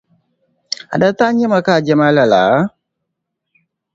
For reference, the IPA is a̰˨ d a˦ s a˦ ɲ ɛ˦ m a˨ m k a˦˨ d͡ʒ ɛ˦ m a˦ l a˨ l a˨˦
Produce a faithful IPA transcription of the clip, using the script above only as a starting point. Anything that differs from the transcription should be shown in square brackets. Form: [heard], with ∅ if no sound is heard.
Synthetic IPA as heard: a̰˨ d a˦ [t] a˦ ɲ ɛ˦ m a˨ [∅] k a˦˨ d͡ʒ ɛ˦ m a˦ l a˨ l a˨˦